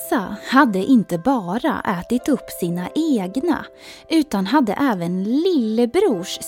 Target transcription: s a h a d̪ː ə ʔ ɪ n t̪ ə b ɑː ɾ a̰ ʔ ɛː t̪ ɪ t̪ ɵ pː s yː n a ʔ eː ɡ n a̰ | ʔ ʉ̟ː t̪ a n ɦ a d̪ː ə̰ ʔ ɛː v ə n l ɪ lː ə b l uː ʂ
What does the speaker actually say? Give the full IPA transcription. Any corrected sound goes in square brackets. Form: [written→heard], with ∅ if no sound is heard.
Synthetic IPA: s a h a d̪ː ə ʔ ɪ n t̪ ə b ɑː ɾ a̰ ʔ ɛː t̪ ɪ t̪ ɵ pː s [yː→iː] n a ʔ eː ɡ n a̰ | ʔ ʉ̟ː t̪ a n ɦ a d̪ː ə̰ ʔ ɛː v ə n l ɪ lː ə b [l→ɾ] uː ʂ